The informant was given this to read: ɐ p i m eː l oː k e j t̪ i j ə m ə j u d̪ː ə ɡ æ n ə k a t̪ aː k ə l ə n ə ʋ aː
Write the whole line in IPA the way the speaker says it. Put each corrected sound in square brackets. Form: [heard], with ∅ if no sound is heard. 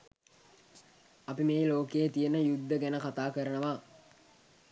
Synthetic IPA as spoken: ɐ p i m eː l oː k e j t̪ i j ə [n] ə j u d̪ː ə ɡ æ n ə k a t̪ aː k ə [ɾ] ə n ə ʋ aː